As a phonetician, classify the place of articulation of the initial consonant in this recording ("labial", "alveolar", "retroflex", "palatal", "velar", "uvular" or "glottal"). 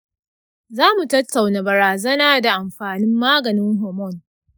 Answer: alveolar